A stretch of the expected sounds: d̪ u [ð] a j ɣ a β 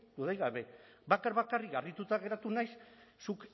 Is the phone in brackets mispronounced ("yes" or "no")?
no